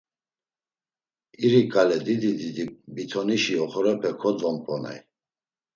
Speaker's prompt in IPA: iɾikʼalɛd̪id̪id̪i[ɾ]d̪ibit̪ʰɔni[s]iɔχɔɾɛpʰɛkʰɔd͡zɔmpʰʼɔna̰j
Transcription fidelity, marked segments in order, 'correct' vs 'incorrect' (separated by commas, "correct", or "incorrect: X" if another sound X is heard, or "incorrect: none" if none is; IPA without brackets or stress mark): incorrect: none, incorrect: ʃ